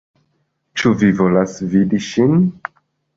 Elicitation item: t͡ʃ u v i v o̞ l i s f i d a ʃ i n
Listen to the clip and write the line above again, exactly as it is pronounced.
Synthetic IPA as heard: t͡ʃ u v i v o̞ l a s v i d i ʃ i n